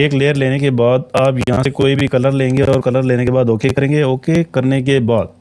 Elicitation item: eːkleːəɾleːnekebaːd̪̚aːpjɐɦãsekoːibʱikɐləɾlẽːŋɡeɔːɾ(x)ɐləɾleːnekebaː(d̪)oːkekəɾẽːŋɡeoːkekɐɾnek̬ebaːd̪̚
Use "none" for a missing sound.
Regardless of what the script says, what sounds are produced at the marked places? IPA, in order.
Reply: k, d̪

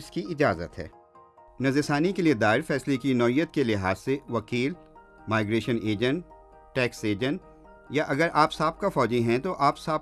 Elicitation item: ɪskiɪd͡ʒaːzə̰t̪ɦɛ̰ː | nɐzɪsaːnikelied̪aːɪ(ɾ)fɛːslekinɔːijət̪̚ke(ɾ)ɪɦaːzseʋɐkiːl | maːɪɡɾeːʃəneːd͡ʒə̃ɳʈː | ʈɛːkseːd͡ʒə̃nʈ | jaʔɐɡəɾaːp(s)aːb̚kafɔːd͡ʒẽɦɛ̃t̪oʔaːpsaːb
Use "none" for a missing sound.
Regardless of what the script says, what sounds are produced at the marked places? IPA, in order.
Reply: ɾ, l, s

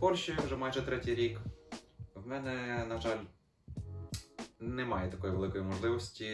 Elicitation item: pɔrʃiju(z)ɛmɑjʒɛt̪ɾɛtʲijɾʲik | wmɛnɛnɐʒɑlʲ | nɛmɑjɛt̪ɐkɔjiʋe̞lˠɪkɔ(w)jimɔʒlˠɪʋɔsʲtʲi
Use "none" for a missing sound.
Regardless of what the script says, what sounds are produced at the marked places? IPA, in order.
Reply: ʒ, none

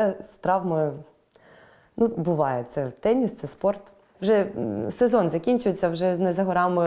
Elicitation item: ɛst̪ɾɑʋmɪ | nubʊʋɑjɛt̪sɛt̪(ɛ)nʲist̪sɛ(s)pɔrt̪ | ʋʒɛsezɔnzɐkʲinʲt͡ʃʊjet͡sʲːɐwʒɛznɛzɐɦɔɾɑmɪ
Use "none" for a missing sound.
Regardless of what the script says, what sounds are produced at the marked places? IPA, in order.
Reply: ɛ, s

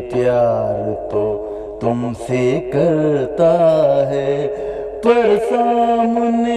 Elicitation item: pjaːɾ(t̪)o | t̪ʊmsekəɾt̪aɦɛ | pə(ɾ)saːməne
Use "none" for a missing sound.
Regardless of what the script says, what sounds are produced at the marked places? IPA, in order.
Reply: t̪, ɾ

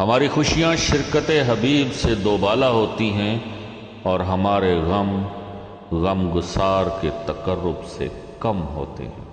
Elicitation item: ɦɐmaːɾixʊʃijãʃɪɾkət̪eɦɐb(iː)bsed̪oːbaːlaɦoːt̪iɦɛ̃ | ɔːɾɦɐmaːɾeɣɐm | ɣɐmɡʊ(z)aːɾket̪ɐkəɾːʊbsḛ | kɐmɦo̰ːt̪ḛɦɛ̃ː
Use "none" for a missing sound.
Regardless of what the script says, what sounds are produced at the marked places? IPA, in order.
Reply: iː, s

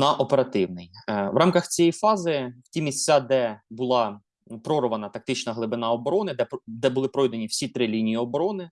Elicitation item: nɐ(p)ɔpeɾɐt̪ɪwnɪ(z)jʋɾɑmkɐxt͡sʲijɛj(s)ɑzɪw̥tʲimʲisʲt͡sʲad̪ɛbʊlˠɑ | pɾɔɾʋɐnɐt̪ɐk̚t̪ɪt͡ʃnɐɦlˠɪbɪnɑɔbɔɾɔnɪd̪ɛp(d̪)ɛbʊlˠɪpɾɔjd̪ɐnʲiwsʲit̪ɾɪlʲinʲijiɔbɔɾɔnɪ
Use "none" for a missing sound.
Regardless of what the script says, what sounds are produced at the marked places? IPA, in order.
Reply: ʔ, none, f, d̪

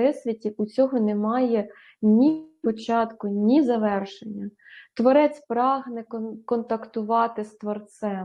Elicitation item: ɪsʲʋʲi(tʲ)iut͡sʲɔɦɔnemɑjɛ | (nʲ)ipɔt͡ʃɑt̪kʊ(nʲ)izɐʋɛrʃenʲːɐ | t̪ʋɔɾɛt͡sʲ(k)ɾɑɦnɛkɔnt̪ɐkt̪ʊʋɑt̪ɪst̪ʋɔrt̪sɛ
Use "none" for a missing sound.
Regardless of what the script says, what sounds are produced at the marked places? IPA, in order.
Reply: tʲ, nʲ, nʲ, p

